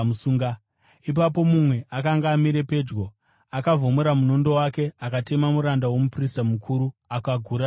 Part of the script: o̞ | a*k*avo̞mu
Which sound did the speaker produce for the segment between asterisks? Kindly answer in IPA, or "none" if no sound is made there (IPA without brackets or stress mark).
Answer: k